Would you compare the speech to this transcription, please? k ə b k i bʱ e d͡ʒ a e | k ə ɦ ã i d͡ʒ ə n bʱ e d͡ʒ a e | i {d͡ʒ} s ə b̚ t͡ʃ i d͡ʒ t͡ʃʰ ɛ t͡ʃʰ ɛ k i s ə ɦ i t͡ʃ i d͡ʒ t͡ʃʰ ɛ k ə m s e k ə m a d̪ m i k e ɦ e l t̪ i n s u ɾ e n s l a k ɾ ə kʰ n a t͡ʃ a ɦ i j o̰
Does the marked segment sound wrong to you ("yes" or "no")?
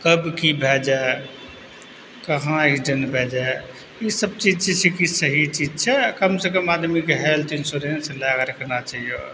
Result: yes